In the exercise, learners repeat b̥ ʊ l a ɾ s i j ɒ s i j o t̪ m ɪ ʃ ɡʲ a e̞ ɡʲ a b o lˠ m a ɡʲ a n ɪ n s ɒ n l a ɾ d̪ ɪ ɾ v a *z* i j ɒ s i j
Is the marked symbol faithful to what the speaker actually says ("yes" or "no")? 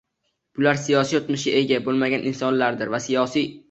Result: no